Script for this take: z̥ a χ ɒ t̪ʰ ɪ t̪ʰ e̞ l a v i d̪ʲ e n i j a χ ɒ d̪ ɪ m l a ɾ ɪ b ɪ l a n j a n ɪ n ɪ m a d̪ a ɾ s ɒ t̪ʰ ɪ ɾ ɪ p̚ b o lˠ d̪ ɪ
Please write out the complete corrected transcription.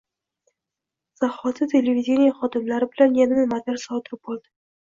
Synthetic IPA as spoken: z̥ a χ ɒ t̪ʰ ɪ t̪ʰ e̞ l e v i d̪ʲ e n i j a χ ɒ d̪ ɪ m l a ɾ ɪ b ɪ l a n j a n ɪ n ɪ m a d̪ a ɾ s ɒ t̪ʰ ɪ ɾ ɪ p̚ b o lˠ d̪ ɪ